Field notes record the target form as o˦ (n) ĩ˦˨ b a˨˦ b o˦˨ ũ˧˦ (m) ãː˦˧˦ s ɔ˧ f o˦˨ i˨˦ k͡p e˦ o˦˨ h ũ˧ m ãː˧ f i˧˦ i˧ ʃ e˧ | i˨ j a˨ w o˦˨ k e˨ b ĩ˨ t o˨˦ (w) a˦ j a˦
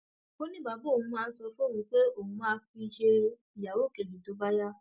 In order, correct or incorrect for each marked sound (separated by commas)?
correct, correct, incorrect